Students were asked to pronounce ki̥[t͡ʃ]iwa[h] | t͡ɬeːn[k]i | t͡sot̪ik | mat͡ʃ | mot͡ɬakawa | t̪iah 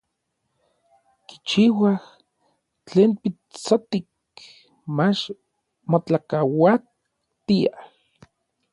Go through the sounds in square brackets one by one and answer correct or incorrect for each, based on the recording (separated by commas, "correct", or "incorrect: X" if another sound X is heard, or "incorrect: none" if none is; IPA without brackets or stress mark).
correct, correct, incorrect: p